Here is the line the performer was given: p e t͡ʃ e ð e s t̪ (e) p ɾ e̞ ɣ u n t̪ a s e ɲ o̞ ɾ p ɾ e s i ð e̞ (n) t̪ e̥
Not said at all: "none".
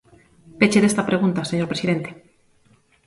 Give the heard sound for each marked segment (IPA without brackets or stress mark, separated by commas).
a, n